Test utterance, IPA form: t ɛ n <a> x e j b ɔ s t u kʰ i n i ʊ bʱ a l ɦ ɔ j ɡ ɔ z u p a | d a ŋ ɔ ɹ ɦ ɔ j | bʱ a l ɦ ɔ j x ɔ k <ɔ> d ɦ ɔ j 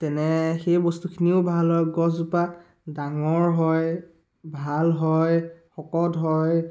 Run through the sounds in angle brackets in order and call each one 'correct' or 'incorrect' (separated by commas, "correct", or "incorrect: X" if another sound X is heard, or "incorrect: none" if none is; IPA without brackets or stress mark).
incorrect: ɛ, correct